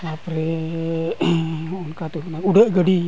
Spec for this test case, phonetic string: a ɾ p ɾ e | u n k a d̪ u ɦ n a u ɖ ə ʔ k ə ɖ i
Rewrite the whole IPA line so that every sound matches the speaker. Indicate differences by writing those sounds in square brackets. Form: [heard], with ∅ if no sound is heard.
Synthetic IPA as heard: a [∅] p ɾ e | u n k a [t̪] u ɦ n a u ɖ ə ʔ [ɡ] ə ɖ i